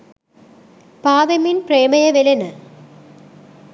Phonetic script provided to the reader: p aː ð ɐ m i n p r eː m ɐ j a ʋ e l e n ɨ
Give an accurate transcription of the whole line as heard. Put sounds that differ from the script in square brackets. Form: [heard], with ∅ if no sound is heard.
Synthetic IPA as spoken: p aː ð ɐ m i n p r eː m ɐ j [ɐ] ʋ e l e n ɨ